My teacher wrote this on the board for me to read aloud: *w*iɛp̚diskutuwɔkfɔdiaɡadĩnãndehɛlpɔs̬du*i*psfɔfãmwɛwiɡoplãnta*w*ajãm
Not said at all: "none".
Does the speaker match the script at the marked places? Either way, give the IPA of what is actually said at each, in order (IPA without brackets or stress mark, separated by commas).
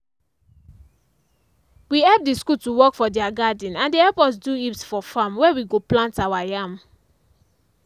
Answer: w, i, w